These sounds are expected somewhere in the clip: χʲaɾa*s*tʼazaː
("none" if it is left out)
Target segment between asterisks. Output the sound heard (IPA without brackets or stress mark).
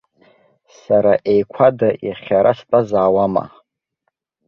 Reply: s